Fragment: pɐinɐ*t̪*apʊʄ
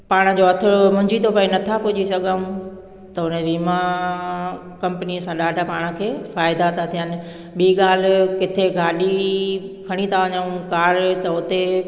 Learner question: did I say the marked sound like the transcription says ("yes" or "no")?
no